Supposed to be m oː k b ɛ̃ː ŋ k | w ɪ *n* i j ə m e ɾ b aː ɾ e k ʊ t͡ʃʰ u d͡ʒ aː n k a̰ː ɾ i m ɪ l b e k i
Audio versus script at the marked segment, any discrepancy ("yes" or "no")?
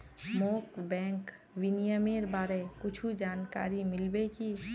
no